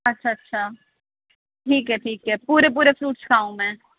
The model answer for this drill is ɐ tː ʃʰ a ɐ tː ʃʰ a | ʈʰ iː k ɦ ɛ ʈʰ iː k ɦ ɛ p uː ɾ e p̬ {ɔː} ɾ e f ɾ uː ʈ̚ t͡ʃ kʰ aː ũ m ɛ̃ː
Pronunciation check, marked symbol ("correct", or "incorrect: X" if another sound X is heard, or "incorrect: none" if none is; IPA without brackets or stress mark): incorrect: uː